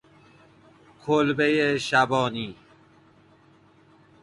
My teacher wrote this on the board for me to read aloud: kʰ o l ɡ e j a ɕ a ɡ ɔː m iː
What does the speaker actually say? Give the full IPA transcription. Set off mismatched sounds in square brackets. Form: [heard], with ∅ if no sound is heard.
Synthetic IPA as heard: kʰ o l [b] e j [e] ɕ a [b] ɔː [n] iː